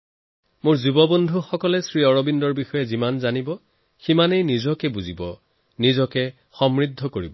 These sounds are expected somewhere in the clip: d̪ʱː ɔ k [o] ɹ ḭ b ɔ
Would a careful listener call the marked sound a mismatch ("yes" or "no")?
no